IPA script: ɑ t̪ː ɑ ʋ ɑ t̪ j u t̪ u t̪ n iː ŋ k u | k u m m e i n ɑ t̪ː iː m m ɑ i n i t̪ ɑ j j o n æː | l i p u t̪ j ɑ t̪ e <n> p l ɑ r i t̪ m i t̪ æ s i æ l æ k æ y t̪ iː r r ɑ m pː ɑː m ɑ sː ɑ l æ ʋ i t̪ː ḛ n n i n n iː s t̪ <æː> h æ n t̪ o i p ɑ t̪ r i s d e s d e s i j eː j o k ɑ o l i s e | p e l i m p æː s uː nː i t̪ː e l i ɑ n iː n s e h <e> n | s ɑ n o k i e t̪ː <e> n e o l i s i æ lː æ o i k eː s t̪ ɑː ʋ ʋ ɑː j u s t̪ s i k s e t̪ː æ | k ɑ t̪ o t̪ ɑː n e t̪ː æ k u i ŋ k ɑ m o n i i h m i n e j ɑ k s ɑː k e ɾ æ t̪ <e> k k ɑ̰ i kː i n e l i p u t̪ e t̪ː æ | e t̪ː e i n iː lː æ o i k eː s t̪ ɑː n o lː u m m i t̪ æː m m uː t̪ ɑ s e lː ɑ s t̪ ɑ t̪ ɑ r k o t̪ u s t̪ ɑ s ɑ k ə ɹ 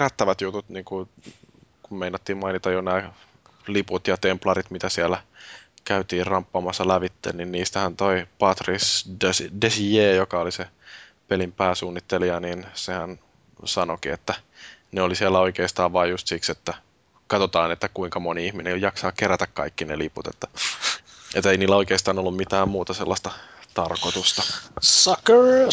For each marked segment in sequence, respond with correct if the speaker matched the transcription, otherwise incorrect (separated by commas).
incorrect, incorrect, incorrect, incorrect, incorrect